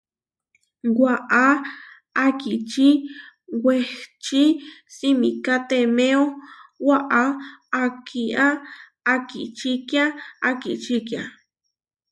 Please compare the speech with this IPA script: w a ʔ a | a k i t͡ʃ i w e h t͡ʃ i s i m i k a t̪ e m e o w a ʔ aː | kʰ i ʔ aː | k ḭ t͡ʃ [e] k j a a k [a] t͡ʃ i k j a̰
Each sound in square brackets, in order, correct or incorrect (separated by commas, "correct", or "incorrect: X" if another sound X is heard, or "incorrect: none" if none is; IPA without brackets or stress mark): incorrect: i, incorrect: i